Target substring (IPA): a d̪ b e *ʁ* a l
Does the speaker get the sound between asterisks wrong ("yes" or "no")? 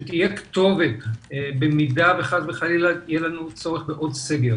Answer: yes